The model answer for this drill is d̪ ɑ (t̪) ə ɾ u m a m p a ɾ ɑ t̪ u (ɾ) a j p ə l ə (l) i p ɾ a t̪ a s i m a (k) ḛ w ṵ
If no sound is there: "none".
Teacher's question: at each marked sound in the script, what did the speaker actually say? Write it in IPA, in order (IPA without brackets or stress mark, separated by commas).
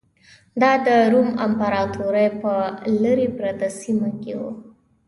d̪, ɾ, ɾ, k